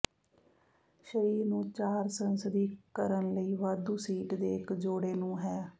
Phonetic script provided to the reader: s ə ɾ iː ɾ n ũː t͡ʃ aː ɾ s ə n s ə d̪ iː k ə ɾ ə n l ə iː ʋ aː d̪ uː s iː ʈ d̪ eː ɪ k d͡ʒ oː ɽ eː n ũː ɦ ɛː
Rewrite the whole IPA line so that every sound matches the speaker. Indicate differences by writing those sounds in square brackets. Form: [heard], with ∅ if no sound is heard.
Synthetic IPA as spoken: [ʃ] ə ɾ iː ɾ n ũː t͡ʃ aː ɾ s ə n s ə d̪ iː k ə ɾ ə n l ə iː ʋ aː d̪ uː s iː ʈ d̪ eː ɪ k d͡ʒ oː ɽ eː n ũː ɦ ɛː